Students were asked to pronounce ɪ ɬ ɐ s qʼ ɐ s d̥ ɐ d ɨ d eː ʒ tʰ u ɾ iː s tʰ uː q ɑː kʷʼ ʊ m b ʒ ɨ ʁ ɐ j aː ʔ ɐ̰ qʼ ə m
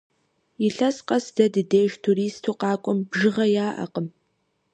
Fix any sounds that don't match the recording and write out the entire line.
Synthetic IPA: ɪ ɬ ɐ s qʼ ɐ s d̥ ɐ d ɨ d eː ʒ tʰ u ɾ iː s tʰ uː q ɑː kʷʼ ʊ m b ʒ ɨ ʁ ɐ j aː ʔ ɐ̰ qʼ ə m